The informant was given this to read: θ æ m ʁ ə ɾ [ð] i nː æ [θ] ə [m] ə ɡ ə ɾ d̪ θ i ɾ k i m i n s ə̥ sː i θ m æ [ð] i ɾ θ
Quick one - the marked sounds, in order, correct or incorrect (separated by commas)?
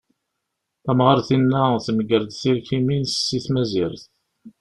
incorrect, correct, correct, incorrect